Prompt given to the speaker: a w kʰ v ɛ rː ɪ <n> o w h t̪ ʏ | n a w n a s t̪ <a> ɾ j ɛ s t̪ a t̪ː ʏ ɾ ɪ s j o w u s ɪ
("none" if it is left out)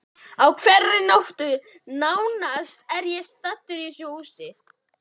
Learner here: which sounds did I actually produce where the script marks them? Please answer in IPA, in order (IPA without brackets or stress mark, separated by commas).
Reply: n, ɛ